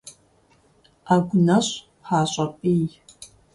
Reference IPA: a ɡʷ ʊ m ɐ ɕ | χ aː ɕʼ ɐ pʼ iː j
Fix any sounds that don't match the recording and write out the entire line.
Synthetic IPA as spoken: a ɡʷ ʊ n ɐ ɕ | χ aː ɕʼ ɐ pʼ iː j